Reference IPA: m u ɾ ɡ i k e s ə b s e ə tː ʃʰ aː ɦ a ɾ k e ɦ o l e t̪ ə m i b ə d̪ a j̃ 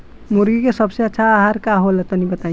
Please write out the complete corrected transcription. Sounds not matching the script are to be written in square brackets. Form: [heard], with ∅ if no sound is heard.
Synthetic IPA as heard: m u ɾ ɡ i k e s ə b s e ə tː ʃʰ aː ɦ a ɾ k [a] ɦ o l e t̪ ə [n] i b ə [t̪] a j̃

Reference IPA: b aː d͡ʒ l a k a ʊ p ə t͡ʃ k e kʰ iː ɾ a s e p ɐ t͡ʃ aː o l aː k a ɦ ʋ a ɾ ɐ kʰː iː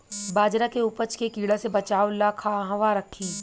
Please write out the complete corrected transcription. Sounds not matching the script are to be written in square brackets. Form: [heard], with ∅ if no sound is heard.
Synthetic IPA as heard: b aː d͡ʒ [ɾ] a k [e] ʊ p ə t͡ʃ k e [k] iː [ɽ] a s e [b] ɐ t͡ʃ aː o l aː [kʰ] a ɦ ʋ a ɾ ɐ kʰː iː

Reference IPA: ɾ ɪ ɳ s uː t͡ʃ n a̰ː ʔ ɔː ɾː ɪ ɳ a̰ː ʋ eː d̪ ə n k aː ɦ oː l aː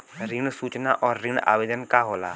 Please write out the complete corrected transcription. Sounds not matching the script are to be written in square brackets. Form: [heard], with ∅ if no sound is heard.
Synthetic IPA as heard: ɾ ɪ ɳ s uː t͡ʃ n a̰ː ʔ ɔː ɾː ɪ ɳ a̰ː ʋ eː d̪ ə n k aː ɦ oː l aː

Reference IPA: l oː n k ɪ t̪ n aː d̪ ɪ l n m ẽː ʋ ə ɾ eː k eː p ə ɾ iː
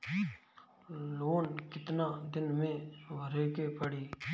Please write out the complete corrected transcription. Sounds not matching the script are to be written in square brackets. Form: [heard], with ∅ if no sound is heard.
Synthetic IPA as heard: l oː n k ɪ t̪ n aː d̪ ɪ [∅] n m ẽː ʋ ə ɾ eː k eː p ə [ɽ] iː

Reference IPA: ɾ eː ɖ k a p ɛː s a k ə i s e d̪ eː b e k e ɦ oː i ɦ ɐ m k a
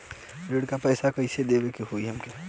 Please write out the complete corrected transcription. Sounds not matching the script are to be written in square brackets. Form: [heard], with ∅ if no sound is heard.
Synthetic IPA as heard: ɾ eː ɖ k a p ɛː s a k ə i s e d̪ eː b e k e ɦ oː i ɦ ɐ m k [e]

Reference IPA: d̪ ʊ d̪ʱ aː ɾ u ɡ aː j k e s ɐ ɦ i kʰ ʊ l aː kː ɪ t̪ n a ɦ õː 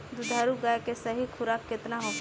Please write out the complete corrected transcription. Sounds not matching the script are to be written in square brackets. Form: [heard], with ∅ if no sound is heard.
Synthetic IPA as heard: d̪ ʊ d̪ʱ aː ɾ u ɡ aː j k e s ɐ ɦ i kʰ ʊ [ɾ] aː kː ɪ t̪ n a ɦ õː

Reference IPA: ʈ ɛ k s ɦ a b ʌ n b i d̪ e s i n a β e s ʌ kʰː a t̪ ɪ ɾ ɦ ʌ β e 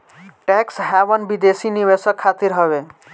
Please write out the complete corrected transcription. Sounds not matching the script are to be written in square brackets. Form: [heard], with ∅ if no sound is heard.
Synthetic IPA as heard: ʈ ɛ k s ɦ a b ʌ n b i d̪ e s i n [i] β e s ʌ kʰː a t̪ [i] ɾ ɦ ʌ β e

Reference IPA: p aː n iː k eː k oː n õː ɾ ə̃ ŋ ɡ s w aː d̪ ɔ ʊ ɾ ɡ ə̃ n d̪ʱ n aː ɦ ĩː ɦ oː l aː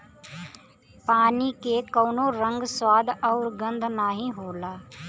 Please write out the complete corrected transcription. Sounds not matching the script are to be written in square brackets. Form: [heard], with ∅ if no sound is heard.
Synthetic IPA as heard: p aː n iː k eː k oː n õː ɾ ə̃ ŋ ɡ s w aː d̪ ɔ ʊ ɾ ɡ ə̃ n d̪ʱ n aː ɦ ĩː ɦ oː l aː

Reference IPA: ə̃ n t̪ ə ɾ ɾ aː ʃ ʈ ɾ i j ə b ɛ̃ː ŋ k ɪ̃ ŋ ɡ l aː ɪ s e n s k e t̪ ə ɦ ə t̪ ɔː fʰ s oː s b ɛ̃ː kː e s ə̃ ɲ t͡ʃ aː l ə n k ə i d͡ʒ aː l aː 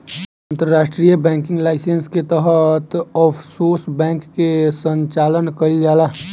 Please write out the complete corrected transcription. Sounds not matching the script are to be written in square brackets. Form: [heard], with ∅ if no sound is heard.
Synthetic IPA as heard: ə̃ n t̪ ə ɾ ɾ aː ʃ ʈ ɾ i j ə b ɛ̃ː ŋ k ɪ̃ ŋ ɡ l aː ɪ s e n s k e t̪ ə ɦ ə t̪ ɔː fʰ s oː s b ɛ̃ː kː e s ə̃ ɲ t͡ʃ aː l ə n k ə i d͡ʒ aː l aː

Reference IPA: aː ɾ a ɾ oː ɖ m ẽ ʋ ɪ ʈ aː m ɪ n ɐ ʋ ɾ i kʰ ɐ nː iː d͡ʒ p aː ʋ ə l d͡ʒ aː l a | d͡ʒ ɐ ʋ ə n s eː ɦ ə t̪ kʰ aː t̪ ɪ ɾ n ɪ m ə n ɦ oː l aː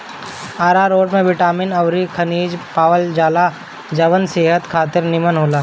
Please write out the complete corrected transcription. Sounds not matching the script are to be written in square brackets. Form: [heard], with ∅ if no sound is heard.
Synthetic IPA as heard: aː ɾ a ɾ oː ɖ m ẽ ʋ ɪ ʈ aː m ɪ n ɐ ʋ ɾ i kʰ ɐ [n] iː d͡ʒ p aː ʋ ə l d͡ʒ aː l a | d͡ʒ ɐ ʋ ə n s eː ɦ ə t̪ kʰ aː t̪ ɪ ɾ n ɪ m ə n ɦ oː l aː

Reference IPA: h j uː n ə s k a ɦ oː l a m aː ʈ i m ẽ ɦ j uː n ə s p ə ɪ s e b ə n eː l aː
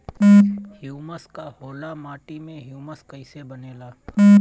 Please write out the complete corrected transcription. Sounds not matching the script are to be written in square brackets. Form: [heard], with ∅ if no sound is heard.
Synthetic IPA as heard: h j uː [m] ə s k a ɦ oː l a m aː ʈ i m ẽ ɦ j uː [m] ə s [k] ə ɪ s e b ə n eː l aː

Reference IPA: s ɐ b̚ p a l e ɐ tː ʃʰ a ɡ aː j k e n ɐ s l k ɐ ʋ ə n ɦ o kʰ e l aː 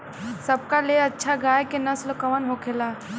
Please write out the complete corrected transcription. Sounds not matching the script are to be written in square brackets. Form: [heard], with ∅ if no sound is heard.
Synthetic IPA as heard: s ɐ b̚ [k] a l e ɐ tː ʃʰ a ɡ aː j k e n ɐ s l k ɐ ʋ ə n ɦ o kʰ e l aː

